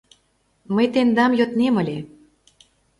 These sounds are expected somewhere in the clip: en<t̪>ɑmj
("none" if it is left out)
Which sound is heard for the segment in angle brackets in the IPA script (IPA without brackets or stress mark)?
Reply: d̪